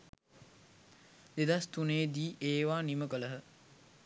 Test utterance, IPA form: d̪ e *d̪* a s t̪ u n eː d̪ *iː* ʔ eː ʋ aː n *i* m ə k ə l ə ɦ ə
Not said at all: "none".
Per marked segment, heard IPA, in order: d̪, iː, i

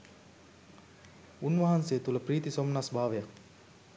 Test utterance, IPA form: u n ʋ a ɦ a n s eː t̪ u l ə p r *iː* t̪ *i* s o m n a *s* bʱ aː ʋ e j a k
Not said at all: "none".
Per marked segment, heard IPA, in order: iː, i, s

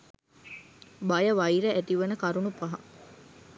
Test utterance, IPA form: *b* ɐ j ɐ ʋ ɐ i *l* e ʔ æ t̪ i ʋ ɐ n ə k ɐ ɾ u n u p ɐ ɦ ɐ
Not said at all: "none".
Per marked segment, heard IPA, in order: b, ɾ

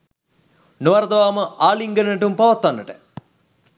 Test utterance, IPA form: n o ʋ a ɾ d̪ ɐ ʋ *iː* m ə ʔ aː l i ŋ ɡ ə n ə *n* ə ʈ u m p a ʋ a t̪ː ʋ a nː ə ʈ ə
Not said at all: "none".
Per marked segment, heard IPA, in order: aː, n

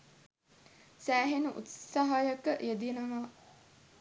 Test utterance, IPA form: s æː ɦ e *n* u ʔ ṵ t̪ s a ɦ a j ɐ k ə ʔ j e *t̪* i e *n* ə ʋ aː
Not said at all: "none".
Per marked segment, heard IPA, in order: n, d̪, n

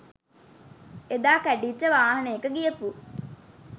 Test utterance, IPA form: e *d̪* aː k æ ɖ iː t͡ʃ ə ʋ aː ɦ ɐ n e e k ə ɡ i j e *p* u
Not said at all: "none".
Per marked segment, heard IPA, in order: d̪, p

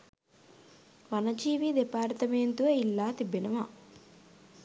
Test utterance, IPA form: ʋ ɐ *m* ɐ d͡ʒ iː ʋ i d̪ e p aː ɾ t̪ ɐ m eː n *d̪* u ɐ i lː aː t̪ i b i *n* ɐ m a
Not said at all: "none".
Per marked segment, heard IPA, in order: n, t̪, n

